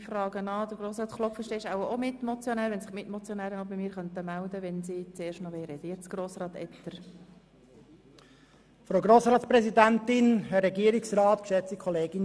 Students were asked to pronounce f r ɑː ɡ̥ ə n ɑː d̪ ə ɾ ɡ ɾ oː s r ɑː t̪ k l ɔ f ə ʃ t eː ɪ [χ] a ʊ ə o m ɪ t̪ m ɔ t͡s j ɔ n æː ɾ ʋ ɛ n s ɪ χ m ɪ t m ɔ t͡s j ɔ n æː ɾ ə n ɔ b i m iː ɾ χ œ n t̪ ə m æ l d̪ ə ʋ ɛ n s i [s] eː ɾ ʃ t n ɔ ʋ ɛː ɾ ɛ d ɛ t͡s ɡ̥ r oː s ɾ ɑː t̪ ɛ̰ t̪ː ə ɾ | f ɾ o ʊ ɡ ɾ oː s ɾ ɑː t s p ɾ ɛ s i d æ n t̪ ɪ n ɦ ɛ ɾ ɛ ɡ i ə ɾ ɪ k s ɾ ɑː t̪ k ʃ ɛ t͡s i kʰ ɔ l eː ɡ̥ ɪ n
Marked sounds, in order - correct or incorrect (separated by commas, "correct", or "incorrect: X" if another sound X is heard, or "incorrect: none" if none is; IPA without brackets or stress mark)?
incorrect: ʃ, incorrect: t͡s